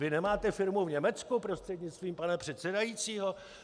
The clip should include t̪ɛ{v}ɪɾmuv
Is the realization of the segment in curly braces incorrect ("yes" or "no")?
yes